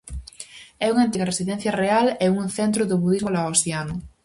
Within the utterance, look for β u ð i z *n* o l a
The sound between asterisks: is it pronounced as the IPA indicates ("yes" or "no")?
no